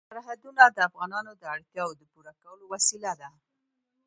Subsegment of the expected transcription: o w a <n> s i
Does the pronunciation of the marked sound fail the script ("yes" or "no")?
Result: yes